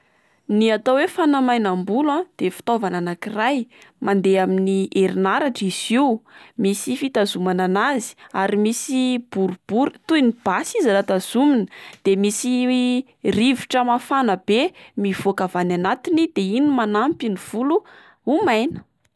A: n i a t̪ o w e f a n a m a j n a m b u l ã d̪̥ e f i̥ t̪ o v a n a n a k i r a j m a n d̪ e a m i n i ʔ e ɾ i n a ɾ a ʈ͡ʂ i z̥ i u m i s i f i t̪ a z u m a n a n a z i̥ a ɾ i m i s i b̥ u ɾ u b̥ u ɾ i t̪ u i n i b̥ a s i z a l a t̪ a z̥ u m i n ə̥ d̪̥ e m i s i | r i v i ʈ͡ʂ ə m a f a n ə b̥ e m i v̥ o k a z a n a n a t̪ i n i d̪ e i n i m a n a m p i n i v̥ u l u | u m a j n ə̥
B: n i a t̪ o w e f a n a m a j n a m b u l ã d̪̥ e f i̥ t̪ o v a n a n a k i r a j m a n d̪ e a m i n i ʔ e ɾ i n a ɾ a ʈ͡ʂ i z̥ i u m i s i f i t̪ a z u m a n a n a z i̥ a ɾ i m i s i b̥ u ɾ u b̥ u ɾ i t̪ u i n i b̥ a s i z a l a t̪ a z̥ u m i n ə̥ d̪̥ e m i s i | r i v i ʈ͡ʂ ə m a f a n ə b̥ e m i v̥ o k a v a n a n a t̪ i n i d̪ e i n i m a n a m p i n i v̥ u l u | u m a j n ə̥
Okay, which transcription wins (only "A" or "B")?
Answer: B